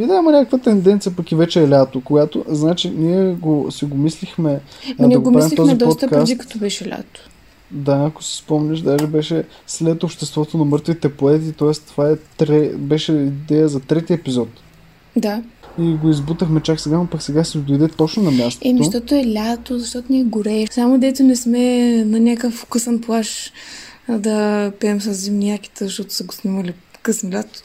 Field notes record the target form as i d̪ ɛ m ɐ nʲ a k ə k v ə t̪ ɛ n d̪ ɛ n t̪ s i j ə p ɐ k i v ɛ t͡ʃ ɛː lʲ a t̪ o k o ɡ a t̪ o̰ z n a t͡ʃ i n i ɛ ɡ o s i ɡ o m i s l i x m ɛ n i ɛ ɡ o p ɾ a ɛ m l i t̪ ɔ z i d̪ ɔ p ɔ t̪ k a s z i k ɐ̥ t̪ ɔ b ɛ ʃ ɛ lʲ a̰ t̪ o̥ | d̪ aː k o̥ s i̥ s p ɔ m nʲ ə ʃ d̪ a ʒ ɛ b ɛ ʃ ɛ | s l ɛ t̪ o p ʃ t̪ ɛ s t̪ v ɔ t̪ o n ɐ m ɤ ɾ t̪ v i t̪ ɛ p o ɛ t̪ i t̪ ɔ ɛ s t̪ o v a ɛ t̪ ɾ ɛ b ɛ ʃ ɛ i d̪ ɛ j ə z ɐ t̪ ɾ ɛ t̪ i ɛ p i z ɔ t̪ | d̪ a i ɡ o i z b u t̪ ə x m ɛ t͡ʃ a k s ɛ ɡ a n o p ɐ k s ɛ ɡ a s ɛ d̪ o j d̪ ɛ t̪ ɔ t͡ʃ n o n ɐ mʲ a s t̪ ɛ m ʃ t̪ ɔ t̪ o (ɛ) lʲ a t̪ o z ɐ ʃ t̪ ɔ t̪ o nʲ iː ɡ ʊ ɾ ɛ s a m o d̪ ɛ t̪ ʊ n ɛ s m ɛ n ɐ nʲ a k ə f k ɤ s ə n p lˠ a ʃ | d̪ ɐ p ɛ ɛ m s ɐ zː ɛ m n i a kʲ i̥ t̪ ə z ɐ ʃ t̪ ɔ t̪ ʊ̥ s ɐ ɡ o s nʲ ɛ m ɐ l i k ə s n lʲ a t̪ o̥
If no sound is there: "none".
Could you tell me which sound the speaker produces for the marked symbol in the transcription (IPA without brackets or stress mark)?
ɛ